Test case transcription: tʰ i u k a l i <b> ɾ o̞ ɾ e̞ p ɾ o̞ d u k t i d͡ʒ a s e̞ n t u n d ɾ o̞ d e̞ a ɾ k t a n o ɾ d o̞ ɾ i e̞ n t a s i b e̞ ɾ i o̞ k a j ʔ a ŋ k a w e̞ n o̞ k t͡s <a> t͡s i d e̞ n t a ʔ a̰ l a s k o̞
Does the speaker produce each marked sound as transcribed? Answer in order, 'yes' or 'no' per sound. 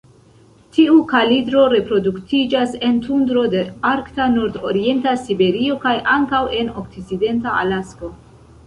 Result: no, no

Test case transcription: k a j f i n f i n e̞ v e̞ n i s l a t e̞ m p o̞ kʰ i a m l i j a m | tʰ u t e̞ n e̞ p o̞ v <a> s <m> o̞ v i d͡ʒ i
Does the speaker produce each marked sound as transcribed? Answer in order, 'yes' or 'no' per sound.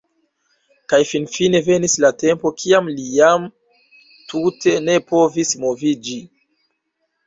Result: no, yes

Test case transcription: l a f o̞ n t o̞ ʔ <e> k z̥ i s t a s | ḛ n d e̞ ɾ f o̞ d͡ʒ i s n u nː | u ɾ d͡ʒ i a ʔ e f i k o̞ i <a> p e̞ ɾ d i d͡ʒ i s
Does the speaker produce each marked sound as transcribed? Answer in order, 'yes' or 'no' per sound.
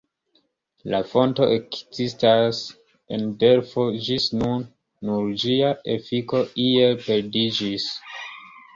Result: yes, no

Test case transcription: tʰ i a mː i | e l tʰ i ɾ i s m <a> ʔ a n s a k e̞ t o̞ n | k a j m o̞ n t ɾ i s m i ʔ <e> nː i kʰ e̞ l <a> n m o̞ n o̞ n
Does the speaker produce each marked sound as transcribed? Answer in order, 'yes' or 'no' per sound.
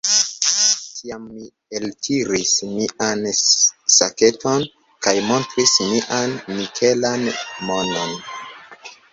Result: no, no, yes

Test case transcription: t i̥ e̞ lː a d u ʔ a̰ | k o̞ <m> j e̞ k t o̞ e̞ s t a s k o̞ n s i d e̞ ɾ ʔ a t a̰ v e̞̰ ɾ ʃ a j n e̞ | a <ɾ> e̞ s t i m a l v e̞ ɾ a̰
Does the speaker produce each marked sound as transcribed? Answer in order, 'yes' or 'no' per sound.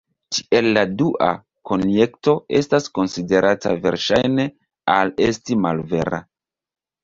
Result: no, no

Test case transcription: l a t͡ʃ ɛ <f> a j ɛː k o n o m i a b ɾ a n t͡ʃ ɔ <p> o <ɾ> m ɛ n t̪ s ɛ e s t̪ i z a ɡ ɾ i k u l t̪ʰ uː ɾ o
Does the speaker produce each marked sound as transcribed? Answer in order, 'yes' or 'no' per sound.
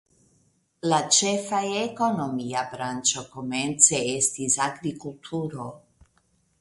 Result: yes, no, no

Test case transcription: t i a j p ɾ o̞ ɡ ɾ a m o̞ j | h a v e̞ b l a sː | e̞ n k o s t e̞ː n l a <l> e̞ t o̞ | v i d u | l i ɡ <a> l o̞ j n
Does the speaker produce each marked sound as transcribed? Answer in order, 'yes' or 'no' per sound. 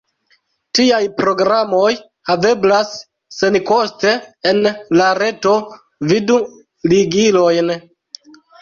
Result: no, no

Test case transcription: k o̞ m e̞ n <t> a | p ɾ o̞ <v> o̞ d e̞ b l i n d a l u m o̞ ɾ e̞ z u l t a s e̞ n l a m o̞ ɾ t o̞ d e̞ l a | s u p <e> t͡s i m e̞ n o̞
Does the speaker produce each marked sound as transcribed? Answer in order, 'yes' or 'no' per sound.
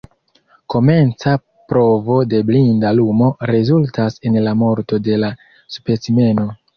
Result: no, yes, yes

